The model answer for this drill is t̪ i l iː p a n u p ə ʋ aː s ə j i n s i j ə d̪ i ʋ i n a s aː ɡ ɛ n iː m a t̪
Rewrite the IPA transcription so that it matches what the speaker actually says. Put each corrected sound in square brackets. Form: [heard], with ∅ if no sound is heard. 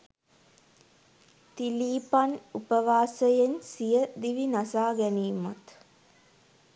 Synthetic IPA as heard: t̪ i l iː p a n u p ə ʋ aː s ə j [e] n s i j ə d̪ i ʋ i n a s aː ɡ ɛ n iː m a t̪